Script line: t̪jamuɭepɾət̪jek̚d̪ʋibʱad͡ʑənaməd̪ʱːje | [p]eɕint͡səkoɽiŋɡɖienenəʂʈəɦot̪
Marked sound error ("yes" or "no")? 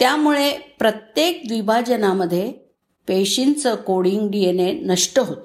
no